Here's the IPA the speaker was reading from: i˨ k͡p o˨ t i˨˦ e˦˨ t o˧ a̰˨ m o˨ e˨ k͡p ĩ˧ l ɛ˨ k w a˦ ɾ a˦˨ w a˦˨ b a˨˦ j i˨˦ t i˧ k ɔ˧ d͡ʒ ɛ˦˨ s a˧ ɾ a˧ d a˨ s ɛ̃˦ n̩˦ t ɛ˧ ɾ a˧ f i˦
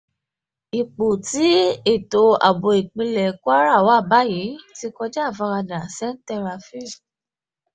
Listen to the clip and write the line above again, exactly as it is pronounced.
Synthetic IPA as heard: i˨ k͡p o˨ t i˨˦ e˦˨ t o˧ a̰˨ b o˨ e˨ k͡p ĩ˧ l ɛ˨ k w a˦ ɾ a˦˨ w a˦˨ b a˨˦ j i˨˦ t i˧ k ɔ˧ d͡ʒ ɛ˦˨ f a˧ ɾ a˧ d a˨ s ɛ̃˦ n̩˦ t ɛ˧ ɾ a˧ f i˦